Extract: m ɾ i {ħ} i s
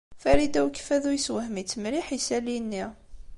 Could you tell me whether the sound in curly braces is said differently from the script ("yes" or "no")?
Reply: no